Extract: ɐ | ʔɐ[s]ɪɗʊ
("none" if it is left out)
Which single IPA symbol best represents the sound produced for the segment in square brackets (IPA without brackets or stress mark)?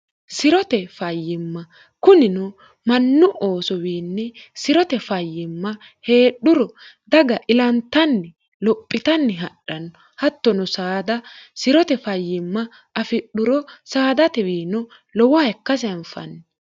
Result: f